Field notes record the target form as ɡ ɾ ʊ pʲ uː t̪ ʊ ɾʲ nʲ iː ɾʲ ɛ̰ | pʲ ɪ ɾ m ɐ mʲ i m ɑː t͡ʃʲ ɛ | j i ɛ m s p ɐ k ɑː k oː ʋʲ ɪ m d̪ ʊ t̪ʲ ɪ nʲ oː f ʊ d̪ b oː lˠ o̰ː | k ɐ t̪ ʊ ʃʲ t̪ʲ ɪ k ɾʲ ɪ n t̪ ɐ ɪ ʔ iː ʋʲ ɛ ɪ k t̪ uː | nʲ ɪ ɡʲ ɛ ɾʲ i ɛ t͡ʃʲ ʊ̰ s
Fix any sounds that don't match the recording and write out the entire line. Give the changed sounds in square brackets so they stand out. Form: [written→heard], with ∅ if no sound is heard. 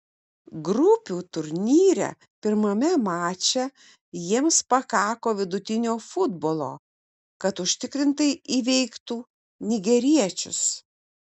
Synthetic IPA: ɡ ɾ ʊ pʲ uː t̪ ʊ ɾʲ nʲ iː ɾʲ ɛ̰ | pʲ ɪ ɾ m ɐ mʲ [i→ɛ] m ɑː t͡ʃʲ ɛ | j i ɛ m s p ɐ k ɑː k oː ʋʲ ɪ [m→∅] d̪ ʊ t̪ʲ ɪ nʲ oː f ʊ d̪ b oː lˠ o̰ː | k ɐ t̪ ʊ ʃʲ t̪ʲ ɪ k ɾʲ ɪ n t̪ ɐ ɪ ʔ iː ʋʲ ɛ ɪ k t̪ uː | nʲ ɪ ɡʲ ɛ ɾʲ i ɛ t͡ʃʲ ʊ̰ s